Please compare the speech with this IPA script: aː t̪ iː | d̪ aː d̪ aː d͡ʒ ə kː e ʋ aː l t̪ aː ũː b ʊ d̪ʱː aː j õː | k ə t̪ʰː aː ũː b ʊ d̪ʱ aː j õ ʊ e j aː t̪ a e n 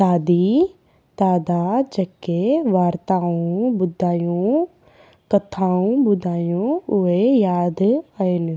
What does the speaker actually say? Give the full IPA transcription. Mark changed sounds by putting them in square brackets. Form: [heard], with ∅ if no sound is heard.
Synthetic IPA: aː [d̪] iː | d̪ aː d̪ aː d͡ʒ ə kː e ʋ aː [ɾ] t̪ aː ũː b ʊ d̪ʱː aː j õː | k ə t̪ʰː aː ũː b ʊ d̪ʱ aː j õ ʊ e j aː [d̪] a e n